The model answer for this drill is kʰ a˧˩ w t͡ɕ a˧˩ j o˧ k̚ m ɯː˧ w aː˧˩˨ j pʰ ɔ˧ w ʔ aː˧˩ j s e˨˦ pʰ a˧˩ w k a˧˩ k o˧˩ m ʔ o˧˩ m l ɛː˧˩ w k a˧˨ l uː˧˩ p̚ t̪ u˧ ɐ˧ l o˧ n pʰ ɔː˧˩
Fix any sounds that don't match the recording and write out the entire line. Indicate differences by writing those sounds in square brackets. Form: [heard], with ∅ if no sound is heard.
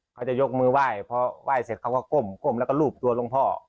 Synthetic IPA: kʰ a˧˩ w t͡ɕ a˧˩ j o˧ k̚ m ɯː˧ w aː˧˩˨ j pʰ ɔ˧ w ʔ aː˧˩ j s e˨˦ [kʰ] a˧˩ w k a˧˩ k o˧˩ m [k] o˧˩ m l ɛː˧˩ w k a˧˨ l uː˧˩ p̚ t̪ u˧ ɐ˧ l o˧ [ŋ] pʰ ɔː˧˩